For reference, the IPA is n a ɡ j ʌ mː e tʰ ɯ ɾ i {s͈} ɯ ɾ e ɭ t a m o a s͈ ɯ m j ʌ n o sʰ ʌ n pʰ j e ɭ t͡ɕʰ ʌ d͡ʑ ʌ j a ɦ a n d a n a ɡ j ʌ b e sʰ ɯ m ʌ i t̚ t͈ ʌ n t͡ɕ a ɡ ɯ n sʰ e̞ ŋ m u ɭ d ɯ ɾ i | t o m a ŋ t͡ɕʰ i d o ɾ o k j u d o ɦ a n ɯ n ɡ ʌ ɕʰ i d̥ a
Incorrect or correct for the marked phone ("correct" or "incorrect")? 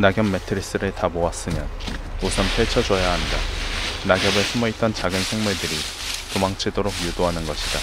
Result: correct